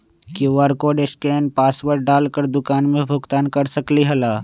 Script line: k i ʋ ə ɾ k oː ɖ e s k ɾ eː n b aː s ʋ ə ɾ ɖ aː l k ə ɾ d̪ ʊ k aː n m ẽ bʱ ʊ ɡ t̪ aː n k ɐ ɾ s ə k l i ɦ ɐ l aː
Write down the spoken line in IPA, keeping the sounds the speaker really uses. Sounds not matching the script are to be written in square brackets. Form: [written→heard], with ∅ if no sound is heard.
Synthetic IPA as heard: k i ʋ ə ɾ k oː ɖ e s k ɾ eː n [b→p] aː s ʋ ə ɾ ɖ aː l k ə ɾ d̪ ʊ k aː n m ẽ bʱ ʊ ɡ t̪ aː n k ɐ ɾ s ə k l i ɦ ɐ l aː